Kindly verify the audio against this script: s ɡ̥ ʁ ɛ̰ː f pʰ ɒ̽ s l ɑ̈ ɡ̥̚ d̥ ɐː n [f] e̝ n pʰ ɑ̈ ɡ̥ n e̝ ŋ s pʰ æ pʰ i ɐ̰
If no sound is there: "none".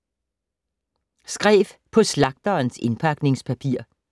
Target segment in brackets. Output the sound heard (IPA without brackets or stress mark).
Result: s